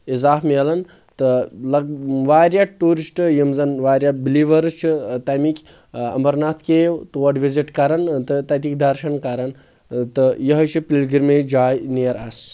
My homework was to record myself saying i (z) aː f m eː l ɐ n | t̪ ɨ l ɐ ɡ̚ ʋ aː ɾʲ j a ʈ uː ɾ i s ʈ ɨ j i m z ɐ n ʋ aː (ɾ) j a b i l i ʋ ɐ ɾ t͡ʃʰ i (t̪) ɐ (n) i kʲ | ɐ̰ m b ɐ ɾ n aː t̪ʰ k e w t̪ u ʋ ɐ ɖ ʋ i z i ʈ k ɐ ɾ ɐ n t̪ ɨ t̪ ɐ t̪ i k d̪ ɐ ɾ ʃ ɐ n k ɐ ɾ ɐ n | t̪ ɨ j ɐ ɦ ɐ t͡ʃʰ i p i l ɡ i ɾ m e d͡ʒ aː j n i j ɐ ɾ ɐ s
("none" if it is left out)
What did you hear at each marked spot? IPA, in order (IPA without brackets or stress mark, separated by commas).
z, ɾ, t̪, m